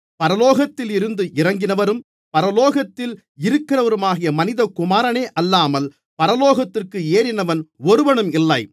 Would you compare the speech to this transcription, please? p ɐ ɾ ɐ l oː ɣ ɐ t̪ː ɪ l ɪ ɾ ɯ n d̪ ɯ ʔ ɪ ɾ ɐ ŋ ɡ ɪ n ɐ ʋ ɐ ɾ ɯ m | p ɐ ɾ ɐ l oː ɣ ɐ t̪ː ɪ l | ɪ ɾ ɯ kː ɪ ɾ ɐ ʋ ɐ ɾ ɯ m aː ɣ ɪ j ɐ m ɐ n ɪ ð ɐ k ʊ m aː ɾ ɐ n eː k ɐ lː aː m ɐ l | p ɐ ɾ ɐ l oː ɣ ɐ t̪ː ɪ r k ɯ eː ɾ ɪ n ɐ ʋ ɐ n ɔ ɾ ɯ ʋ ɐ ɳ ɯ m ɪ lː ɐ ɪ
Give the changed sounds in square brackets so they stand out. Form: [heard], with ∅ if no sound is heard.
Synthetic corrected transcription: p ɐ ɾ ɐ l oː ɣ ɐ t̪ː ɪ l ɪ ɾ ɯ n d̪ ɯ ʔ ɪ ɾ ɐ ŋ ɡ ɪ n ɐ ʋ ɐ ɾ ɯ m | p ɐ ɾ ɐ l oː ɣ ɐ t̪ː ɪ l | ɪ ɾ ɯ kː ɪ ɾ ɐ ʋ ɐ ɾ ɯ m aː ɣ ɪ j ɐ m ɐ n ɪ ð ɐ k ʊ m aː ɾ ɐ n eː [ʔ] ɐ lː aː m ɐ l | p ɐ ɾ ɐ l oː ɣ ɐ t̪ː ɪ r k ɯ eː ɾ ɪ n ɐ ʋ ɐ n ɔ ɾ ɯ ʋ ɐ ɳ ɯ m ɪ lː ɐ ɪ